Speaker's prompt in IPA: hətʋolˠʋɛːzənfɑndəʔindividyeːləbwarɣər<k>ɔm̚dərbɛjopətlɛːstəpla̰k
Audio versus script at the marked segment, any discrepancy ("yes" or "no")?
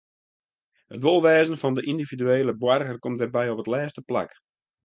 no